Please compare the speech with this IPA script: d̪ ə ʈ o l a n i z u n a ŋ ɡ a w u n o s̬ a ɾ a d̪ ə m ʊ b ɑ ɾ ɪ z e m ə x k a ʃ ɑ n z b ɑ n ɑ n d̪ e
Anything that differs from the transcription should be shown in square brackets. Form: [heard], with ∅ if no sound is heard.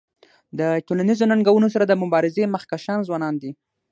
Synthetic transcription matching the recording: d̪ ə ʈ o l a n i z [o] n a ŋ ɡ a w u n o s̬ a ɾ a d̪ ə m ʊ b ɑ ɾ ɪ z e m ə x k a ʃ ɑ n z [w] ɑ n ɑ n d̪ [i]

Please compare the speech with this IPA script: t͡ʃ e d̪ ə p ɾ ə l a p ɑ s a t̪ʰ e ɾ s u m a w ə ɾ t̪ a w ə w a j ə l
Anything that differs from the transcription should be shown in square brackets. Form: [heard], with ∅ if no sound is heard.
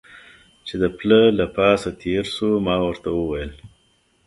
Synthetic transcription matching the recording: t͡ʃ e d̪ ə p [l] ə l a p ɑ s a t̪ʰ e ɾ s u m [ɑ] w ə ɾ t̪ a w ə w a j ə l

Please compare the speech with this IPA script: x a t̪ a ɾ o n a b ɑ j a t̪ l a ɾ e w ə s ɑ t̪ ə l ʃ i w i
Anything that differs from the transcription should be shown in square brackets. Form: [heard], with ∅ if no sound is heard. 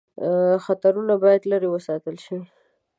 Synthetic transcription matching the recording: x a t̪ a ɾ [u] n a b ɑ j a [d̪] l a ɾ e w ə s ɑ t̪ ə l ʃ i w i

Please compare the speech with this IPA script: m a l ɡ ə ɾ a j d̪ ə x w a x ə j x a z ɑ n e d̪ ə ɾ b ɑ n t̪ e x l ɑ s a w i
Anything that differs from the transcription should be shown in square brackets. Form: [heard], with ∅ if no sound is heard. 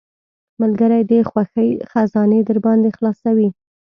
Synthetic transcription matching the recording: m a l ɡ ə ɾ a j d̪ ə x w a x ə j x a z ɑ n e d̪ ə ɾ b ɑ n [d̪] e x l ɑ s a w i

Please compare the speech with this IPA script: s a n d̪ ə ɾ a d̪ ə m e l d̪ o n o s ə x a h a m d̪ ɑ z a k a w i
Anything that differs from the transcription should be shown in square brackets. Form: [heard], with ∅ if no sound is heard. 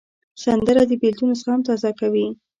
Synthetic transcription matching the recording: s a n d̪ ə ɾ a d̪ ə [b] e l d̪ [u] n o s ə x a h a m [t̪] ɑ z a k a w i

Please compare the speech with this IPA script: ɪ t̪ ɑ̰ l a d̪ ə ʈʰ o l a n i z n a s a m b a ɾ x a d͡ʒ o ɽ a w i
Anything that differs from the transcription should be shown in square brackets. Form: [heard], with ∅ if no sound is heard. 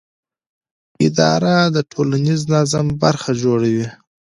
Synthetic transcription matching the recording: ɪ [d̪] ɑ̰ [ɾ] a d̪ ə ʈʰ o l a n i z n a [z] a m b a ɾ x a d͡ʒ o ɽ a w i

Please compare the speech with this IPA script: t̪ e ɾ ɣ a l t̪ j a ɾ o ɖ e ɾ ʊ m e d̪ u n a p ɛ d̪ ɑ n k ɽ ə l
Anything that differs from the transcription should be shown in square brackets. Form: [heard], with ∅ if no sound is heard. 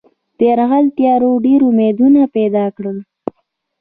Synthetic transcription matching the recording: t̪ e ɾ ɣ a l t̪ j [ɑ] ɾ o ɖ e ɾ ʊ m e d̪ u n a p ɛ d̪ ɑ [∅] k ɽ ə l

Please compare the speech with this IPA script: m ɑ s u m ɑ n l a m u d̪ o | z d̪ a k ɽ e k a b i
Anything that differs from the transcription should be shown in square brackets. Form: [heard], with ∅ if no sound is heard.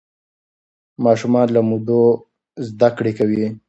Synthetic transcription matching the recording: m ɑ [ʃ] u m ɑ n l a m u d̪ o | z d̪ a k ɽ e k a [w] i

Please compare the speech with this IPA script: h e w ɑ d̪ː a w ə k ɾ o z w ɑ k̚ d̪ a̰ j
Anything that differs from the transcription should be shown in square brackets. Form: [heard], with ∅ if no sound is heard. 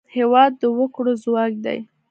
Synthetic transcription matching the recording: h e w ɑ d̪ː [ə] w ə k [ɽ] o z w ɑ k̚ d̪ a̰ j

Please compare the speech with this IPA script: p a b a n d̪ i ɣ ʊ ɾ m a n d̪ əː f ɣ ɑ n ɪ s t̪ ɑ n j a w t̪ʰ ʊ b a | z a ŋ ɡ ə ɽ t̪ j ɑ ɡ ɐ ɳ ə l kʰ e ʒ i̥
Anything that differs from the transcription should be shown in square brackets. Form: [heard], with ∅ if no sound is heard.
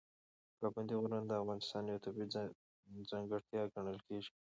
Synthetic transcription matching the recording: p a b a n d̪ i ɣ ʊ ɾ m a n d̪ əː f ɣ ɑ n ɪ s t̪ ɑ n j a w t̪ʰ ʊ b [i] | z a ŋ ɡ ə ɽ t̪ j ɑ ɡ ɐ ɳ ə l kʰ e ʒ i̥

